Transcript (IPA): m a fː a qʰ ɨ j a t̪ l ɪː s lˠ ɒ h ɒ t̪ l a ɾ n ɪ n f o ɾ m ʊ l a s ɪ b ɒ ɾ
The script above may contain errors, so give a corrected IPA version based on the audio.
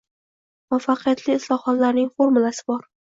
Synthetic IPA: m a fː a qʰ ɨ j a t̪ l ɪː s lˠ ɒ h ɒ t̪ l a ɾ n ɪ ŋ f o ɾ m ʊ l a s ɪ b ɒ ɾ